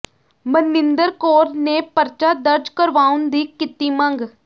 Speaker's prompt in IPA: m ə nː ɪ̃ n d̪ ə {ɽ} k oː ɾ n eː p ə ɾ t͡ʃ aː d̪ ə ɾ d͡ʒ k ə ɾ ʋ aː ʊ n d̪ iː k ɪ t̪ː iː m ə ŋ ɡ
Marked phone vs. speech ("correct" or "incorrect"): incorrect